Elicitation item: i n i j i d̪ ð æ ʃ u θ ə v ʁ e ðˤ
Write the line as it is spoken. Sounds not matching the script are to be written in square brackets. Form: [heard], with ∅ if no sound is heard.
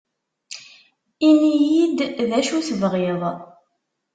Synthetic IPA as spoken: i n i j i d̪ ð æ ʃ u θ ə v ʁ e ðˤ